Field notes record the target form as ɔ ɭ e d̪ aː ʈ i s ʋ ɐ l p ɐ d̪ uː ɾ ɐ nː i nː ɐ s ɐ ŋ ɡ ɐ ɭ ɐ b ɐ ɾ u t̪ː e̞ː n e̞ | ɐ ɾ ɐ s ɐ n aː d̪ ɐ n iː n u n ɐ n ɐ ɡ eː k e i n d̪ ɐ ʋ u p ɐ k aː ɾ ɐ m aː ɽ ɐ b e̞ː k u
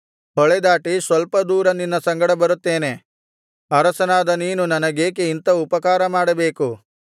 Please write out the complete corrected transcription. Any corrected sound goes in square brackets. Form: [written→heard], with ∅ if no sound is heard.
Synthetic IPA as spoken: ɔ ɭ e d̪ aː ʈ i s ʋ ɐ l p ɐ d̪ uː ɾ ɐ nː i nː ɐ s ɐ ŋ ɡ ɐ [ɭ→ɽ] ɐ b ɐ ɾ u t̪ː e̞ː n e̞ | ɐ ɾ ɐ s ɐ n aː d̪ ɐ n iː n u n ɐ n ɐ ɡ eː k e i n [d̪→t̪] ɐ [ʋ→∅] u p ɐ k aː ɾ ɐ m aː ɽ ɐ b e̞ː k u